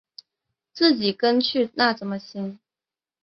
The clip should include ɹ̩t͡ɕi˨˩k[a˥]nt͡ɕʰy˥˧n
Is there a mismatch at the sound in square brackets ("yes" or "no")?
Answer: yes